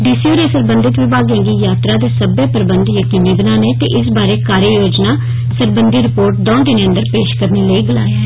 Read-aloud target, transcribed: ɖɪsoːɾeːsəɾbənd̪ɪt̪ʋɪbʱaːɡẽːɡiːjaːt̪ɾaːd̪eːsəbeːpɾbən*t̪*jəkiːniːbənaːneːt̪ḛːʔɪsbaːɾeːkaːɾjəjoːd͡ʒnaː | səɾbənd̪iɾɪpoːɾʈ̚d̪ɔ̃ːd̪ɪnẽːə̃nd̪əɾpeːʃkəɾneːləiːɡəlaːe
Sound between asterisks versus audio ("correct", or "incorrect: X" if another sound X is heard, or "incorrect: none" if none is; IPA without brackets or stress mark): incorrect: d̪